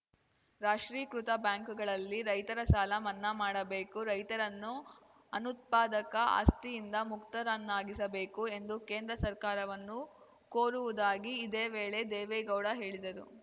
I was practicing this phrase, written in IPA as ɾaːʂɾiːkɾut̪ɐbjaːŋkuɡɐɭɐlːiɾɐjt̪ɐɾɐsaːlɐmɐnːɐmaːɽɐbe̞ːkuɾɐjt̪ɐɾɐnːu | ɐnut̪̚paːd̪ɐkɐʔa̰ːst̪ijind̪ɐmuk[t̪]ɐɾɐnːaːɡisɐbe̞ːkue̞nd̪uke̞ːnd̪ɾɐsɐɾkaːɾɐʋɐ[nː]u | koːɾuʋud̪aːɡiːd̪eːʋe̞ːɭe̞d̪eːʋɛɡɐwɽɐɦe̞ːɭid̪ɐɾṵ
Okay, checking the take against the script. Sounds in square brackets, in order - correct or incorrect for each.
correct, correct

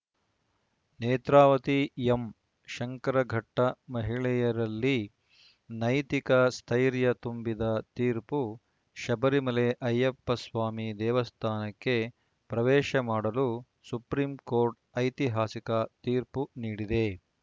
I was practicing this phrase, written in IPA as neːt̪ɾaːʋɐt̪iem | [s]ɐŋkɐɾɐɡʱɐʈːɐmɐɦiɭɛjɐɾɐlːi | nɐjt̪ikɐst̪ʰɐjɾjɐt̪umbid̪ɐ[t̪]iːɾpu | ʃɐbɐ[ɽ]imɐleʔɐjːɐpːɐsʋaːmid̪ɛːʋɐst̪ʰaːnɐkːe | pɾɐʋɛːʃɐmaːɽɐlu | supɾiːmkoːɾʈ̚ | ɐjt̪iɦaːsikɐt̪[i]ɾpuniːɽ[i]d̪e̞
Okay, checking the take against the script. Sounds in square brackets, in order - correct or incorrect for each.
incorrect: ʃ, correct, incorrect: ɾ, incorrect: iː, correct

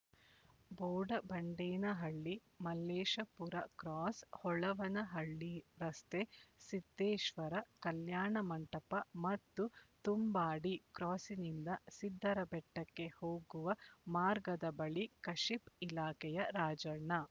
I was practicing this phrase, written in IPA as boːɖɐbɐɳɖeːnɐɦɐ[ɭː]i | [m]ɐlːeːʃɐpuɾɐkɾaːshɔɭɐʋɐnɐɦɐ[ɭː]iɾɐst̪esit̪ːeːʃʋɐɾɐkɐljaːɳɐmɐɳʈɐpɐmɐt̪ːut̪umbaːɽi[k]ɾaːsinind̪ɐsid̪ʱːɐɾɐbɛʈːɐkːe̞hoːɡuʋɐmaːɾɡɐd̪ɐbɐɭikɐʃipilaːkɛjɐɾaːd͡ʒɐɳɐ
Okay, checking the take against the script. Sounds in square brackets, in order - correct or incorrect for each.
correct, correct, correct, correct

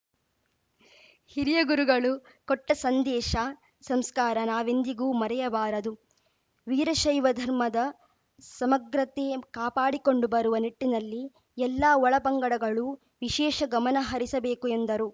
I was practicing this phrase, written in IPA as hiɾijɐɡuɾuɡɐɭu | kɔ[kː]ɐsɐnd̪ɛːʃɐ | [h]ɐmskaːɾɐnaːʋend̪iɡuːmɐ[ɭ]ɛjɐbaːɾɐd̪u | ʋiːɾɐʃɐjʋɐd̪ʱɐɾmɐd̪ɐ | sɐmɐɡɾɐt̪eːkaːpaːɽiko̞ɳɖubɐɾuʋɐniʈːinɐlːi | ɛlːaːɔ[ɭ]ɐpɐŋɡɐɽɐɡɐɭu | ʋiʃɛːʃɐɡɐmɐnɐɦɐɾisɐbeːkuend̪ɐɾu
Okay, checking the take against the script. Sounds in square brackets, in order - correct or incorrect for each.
incorrect: ʈː, incorrect: s, incorrect: ɾ, correct

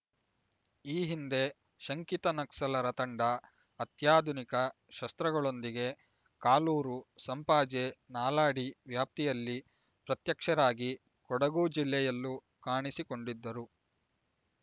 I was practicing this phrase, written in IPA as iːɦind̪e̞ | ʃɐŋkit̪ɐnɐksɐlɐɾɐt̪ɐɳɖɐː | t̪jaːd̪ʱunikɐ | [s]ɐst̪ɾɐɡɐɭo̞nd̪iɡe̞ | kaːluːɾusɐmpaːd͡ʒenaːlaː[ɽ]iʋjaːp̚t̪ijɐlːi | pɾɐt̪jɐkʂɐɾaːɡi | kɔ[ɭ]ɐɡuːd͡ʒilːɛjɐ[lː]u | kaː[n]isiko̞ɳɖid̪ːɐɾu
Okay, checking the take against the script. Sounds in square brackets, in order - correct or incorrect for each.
incorrect: ʃ, correct, incorrect: ɽ, correct, incorrect: ɳ

